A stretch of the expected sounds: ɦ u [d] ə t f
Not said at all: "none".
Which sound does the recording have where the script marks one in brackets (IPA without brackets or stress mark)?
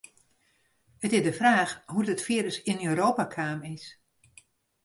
d